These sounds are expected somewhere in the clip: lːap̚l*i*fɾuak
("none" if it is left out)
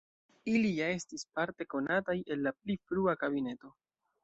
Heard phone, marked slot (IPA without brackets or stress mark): i